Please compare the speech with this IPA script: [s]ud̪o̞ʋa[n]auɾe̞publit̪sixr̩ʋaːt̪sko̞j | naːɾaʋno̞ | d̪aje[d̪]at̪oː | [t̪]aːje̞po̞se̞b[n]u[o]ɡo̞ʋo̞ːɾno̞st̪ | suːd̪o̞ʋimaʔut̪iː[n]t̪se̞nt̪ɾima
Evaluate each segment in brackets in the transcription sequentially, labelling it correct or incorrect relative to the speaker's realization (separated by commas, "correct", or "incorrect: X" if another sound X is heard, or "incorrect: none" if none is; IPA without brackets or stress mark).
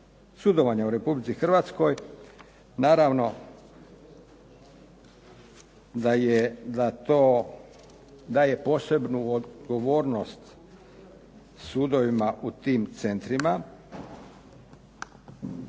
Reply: correct, incorrect: ɲ, correct, incorrect: d̪, correct, correct, incorrect: m